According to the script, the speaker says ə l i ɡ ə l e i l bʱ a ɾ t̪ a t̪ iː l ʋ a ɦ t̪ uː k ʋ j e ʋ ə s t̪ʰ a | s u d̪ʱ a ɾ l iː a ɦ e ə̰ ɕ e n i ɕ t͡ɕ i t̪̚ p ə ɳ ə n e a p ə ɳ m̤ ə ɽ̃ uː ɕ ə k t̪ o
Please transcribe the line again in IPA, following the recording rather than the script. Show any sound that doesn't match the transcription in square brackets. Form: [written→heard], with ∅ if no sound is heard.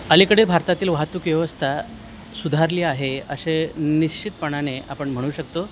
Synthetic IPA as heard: ə l i [ɡ→k] ə [l→ɽ] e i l bʱ a ɾ t̪ a t̪ iː l ʋ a ɦ t̪ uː k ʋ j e ʋ ə s t̪ʰ a | s u d̪ʱ a ɾ l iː a ɦ e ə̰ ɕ e n i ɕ t͡ɕ i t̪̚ p ə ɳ [ə→a] n e a p ə ɳ m̤ ə ɽ̃ uː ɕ ə k t̪ o